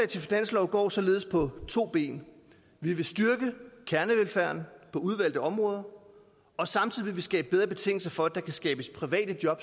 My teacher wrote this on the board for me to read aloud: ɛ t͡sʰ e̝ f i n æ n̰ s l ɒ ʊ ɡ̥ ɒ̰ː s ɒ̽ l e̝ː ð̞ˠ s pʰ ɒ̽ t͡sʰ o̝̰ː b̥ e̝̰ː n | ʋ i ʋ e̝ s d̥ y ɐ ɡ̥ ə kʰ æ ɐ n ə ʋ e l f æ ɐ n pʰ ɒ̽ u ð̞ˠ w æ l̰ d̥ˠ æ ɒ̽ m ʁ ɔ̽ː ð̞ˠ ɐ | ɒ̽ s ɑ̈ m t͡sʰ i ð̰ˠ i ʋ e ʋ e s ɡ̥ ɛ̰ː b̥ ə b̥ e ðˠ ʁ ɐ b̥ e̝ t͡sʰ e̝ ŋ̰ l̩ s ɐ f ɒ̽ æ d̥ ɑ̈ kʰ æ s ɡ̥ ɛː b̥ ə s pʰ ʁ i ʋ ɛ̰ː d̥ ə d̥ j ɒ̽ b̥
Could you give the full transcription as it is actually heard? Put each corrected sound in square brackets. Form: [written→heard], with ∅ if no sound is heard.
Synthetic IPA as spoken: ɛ t͡sʰ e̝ f i n æ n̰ s l ɒ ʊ ɡ̥ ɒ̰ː s ɒ̽ l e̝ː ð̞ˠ s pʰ ɒ̽ t͡sʰ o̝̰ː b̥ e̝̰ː n | ʋ i ʋ e̝ s d̥ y ɐ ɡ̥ ə kʰ æ ɐ n ə ʋ e l f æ ɐ n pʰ ɒ̽ u ð̞ˠ [w→ʋ] æ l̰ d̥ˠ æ ɒ̽ m ʁ ɔ̽ː ð̞ˠ ɐ | ɒ̽ s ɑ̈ m t͡sʰ i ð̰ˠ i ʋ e ʋ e s ɡ̥ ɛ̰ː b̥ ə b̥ e ðˠ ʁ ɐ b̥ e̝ t͡sʰ e̝ ŋ̰ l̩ s ɐ f ɒ̽ æ d̥ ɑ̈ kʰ æ s ɡ̥ ɛː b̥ ə s pʰ ʁ i ʋ ɛ̰ː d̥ ə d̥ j ɒ̽ b̥